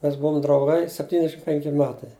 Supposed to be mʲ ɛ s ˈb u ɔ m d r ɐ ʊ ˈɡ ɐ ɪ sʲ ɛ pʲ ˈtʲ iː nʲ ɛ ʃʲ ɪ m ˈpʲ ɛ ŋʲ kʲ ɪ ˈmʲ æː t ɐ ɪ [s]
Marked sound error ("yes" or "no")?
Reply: yes